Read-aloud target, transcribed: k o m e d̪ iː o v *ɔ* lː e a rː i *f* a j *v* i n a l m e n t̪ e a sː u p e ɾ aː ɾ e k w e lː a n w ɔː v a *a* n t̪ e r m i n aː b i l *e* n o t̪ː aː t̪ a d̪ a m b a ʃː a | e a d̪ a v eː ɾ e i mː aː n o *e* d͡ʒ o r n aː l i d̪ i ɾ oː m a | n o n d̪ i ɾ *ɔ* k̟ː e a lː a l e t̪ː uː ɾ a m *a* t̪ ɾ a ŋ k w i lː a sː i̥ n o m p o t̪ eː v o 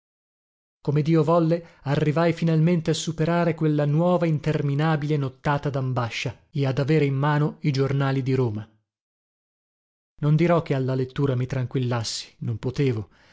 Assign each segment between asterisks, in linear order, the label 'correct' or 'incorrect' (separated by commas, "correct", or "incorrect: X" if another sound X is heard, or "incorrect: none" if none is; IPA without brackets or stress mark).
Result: correct, incorrect: v, incorrect: f, incorrect: i, correct, incorrect: i, correct, incorrect: i